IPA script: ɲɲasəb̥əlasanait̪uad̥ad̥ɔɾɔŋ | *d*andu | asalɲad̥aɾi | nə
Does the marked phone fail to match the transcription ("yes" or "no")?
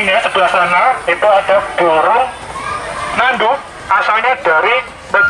yes